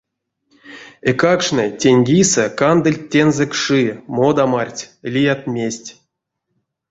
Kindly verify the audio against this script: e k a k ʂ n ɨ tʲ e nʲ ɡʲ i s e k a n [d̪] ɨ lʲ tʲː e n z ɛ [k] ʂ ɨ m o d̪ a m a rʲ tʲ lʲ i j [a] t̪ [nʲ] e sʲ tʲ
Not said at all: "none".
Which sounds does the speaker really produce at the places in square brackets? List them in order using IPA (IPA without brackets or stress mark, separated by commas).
d̪, k, a, mʲ